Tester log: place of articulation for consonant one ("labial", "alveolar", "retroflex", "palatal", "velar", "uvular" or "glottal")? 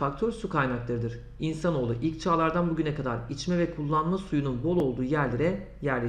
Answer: velar